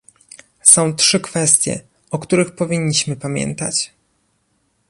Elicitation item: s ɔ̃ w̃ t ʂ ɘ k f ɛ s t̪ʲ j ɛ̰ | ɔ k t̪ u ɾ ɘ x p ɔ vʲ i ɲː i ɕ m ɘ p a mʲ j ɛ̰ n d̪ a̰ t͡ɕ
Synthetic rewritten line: s ɔ̃ w̃ t ʂ ɘ k f ɛ s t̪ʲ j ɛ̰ | ɔ k t̪ u ɾ ɘ x p ɔ vʲ i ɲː i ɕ m ɘ p a mʲ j ɛ̰ n t̪ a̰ t͡ɕ